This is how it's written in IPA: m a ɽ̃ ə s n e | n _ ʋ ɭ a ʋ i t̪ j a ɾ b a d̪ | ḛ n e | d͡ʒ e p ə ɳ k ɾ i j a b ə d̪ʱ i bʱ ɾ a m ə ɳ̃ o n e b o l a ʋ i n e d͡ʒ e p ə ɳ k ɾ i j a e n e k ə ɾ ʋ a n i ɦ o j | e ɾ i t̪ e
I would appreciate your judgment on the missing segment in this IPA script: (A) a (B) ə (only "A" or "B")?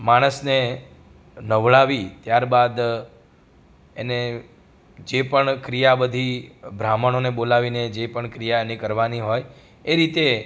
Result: B